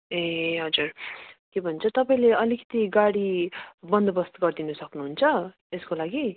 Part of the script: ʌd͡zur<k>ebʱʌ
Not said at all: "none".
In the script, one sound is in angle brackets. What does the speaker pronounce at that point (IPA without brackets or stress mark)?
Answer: k